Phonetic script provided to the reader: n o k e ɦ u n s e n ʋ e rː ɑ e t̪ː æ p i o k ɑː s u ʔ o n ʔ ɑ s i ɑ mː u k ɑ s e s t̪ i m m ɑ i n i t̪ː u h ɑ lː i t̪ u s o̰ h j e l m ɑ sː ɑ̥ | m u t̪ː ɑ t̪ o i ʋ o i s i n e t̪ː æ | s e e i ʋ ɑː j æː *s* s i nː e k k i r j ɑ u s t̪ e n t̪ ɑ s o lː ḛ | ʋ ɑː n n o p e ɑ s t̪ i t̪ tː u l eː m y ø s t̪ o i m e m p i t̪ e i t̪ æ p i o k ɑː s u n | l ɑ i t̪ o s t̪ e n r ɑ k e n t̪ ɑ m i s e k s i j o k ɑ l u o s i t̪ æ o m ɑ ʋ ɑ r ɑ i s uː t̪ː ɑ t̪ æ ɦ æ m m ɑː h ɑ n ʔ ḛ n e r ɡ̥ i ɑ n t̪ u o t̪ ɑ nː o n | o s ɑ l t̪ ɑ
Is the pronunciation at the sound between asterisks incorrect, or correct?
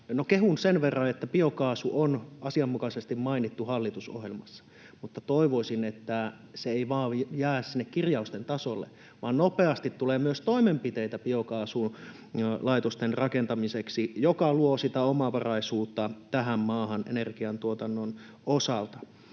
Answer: correct